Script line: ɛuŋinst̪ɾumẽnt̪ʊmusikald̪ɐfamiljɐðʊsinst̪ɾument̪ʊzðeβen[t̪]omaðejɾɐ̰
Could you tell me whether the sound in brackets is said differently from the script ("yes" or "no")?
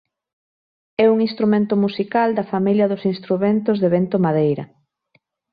no